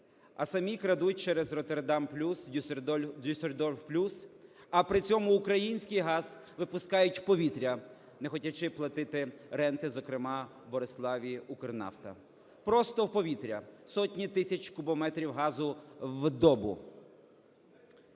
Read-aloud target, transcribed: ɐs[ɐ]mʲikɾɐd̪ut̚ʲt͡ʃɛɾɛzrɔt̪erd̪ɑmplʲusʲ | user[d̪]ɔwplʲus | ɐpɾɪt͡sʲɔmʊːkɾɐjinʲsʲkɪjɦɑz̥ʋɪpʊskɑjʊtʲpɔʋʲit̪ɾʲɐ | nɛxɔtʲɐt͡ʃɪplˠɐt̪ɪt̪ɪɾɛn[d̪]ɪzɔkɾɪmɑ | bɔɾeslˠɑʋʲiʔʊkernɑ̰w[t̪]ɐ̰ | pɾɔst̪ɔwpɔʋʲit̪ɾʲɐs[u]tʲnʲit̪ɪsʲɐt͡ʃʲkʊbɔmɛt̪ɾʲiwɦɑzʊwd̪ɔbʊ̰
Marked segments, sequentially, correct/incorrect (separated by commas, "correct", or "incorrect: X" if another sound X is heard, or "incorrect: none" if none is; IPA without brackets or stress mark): correct, correct, incorrect: t̪, correct, incorrect: ɔ